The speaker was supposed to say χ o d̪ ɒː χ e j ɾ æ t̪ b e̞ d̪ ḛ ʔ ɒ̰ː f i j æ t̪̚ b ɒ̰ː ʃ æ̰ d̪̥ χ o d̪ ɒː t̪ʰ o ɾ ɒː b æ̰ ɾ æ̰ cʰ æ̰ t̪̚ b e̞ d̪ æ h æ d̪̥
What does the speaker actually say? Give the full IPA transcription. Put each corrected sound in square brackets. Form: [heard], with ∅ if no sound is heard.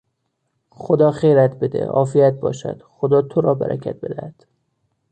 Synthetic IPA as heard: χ o d̪ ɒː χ e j ɾ æ t̪ b e̞ d̪ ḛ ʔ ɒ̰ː f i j æ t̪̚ b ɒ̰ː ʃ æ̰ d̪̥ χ o d̪ ɒː t̪ʰ o ɾ ɒː b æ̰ ɾ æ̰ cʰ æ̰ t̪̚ b e̞ d̪ æ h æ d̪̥